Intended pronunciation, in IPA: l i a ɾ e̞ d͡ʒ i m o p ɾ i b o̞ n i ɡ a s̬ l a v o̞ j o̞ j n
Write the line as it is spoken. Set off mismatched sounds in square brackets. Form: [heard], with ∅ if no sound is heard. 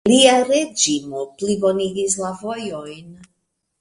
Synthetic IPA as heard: l i a ɾ e̞ d͡ʒ i m o p [l] i b o̞ n i ɡ [i] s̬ l a v o̞ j o̞ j n